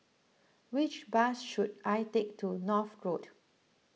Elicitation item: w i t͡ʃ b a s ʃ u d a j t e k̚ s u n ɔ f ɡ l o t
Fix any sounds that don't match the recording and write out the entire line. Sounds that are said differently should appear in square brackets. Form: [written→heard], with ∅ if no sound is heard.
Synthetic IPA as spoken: w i t͡ʃ b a s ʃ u d a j t e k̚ [s→t] u n ɔ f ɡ [l→ɹ] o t